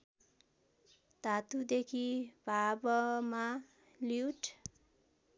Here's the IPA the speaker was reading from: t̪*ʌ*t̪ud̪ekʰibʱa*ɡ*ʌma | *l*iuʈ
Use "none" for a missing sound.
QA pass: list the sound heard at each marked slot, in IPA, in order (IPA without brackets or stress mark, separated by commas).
a, b, l